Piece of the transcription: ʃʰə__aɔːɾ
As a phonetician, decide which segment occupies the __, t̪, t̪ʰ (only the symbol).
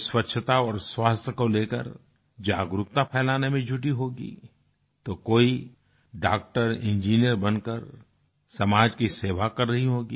t̪